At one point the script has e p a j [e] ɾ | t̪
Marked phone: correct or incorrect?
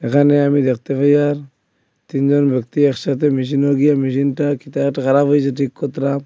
incorrect